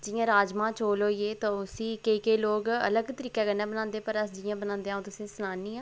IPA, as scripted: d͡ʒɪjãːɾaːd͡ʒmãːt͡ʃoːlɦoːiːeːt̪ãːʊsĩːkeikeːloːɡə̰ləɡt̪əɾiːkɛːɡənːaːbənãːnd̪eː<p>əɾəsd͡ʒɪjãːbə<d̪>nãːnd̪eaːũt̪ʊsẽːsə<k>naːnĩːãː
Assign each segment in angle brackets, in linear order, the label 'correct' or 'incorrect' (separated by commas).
correct, incorrect, incorrect